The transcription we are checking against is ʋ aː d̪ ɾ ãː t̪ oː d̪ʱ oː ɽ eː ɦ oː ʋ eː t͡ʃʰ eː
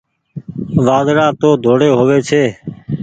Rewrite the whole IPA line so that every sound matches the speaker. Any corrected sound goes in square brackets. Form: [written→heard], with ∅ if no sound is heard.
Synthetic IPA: ʋ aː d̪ ɾ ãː t̪ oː d̪ʱ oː ɽ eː ɦ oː ʋ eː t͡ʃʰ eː